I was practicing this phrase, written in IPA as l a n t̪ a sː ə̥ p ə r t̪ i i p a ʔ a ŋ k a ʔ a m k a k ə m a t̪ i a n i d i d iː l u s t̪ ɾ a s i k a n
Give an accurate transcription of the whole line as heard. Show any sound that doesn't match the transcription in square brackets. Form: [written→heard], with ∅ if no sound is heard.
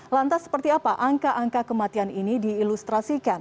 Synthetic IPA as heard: l a n t̪ a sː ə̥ p ə r t̪ i [i→a] p a ʔ a ŋ k a ʔ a [m→ŋ] k a k ə m a t̪ i a n i [d→n] i d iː l u s t̪ ɾ a s i k a n